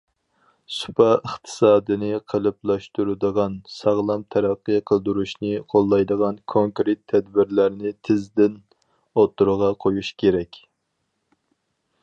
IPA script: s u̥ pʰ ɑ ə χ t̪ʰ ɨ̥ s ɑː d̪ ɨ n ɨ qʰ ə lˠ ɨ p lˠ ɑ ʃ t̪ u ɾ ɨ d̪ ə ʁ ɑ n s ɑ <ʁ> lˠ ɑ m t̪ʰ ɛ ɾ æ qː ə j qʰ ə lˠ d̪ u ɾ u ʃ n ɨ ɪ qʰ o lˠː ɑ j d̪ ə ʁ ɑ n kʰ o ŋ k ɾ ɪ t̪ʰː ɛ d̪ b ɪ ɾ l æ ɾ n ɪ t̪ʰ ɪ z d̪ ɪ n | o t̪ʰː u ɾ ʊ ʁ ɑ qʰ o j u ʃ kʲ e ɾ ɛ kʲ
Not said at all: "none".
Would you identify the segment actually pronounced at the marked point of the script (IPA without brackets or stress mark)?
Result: ʁ